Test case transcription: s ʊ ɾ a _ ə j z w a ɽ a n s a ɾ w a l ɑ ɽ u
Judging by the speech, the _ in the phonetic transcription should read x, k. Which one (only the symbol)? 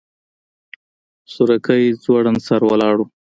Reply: k